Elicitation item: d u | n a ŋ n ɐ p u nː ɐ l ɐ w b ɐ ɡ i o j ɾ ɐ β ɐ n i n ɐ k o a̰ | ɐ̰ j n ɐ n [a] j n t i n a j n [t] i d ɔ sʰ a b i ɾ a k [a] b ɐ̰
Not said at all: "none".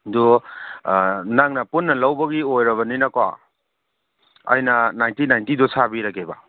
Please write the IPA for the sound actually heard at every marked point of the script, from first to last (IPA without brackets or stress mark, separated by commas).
a, t, e